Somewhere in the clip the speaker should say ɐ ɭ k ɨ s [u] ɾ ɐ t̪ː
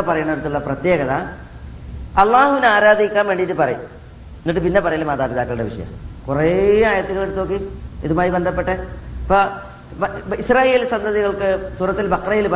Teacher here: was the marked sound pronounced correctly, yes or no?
no